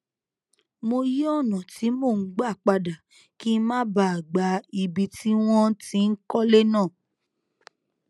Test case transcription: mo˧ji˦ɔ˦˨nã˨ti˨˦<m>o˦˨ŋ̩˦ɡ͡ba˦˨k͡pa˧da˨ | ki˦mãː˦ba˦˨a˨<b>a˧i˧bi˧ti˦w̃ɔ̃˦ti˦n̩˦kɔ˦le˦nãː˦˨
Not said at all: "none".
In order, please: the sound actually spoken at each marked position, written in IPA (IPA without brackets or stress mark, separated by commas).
m, ɡ͡b